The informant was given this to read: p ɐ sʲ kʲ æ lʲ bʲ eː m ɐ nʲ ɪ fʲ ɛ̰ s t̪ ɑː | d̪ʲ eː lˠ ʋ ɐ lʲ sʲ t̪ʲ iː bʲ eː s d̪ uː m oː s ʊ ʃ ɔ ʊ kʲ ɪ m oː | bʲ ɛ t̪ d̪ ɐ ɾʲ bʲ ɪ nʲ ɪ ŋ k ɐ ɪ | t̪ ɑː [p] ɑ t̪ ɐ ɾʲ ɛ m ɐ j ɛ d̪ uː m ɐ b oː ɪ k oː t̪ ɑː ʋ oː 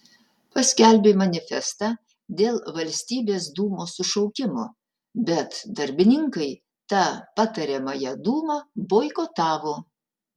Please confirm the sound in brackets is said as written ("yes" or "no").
yes